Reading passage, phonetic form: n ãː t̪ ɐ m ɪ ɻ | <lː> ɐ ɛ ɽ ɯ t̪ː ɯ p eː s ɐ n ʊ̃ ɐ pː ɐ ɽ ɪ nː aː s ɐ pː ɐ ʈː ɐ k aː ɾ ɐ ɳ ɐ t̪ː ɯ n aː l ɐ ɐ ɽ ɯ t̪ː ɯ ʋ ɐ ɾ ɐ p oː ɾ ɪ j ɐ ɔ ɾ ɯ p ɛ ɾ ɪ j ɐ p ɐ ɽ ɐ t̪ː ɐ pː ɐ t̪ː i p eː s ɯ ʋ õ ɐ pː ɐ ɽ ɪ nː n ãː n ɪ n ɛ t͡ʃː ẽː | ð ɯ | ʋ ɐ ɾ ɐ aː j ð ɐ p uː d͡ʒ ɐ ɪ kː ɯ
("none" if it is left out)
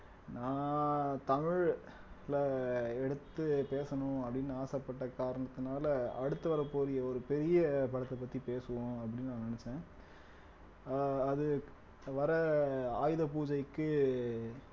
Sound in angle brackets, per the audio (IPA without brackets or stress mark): l